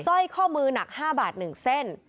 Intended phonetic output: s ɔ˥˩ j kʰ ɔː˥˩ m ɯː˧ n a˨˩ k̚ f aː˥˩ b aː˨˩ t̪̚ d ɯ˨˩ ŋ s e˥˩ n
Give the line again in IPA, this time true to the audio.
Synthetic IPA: s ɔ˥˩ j kʰ ɔː˥˩ m ɯː˧ n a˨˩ k̚ h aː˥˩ b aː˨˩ t̪̚ n ɯ˨˩ ŋ s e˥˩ n